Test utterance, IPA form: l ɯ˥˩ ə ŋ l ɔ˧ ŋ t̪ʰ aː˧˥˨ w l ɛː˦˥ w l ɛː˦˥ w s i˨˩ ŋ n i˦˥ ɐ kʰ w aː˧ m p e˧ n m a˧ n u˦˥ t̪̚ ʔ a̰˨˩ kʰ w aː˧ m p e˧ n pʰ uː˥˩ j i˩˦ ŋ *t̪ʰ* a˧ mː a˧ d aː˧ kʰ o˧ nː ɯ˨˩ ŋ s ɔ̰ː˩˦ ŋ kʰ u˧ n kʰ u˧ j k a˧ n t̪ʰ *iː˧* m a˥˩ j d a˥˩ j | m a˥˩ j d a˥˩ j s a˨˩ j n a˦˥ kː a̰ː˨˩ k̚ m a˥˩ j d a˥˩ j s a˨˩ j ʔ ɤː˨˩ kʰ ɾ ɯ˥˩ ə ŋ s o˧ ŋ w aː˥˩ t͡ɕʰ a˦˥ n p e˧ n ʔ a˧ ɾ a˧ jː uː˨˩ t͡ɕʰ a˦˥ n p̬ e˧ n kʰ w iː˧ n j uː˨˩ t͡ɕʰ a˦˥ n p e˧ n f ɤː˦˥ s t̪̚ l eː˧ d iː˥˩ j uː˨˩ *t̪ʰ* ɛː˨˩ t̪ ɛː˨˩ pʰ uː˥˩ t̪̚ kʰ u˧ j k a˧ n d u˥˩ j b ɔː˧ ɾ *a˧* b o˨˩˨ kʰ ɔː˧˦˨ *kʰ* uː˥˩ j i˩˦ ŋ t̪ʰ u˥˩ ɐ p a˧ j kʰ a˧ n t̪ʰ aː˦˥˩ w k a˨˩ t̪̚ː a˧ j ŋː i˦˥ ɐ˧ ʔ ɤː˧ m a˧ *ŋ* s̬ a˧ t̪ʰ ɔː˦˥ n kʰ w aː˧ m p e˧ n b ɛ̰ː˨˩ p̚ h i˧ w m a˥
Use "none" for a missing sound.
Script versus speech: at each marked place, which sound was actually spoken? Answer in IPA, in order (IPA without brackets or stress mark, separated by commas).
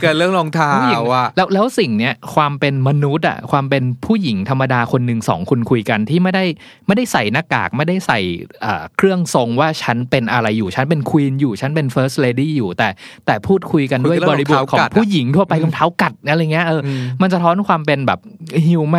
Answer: t̪ʰ, iː˥˩, t̪, i˧, pʰ, n